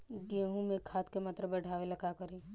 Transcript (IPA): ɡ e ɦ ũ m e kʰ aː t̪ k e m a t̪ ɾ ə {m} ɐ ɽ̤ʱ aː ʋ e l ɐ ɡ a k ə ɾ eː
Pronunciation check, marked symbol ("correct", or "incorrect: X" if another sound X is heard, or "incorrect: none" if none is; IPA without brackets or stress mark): incorrect: b